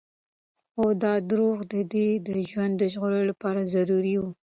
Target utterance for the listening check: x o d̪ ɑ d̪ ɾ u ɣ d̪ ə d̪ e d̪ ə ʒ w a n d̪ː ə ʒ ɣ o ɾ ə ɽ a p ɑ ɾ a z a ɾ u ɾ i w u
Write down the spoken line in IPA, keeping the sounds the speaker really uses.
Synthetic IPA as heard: x o d̪ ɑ d̪ ɾ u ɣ d̪ ə d̪ e d̪ ə ʒ w a n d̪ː ə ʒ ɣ o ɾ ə l a p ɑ ɾ a z a ɾ u ɾ i w u